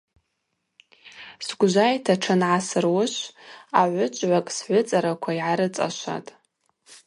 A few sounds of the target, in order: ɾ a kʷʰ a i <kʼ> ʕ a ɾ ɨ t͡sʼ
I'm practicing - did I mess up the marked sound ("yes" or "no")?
yes